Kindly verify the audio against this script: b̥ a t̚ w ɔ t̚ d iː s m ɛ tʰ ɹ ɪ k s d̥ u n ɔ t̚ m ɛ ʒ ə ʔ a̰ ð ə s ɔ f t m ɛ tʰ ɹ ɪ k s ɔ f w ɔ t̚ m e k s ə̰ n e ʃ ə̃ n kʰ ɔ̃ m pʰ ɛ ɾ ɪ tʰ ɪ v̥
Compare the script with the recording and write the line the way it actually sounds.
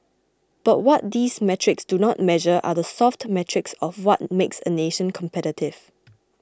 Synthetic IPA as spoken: b̥ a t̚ w ɔ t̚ d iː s m ɛ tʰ ɹ ɪ k s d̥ u n ɔ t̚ m ɛ ʒ ə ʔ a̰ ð ə s ɔ f t m ɛ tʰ ɹ ɪ k s ɔ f w ɔ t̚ m e k s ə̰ n e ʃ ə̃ n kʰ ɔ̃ m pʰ ɛ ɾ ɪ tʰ ɪ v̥